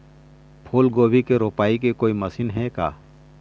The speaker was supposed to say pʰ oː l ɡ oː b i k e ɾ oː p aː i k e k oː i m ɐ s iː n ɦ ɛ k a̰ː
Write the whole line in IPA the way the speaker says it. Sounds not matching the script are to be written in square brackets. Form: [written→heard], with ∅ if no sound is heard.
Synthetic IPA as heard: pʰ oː l ɡ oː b i k e ɾ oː p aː i k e k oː i m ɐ s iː n ɦ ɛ k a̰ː